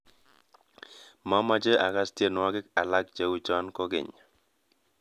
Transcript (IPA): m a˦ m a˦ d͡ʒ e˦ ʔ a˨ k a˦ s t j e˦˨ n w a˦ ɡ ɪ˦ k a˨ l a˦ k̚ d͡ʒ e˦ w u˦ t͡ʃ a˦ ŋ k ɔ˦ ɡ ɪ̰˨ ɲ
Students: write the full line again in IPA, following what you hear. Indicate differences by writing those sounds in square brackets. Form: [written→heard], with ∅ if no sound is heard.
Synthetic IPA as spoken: m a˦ m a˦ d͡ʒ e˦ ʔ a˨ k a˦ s t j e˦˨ n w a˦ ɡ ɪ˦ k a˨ l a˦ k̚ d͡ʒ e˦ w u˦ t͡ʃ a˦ [ŋ→n] k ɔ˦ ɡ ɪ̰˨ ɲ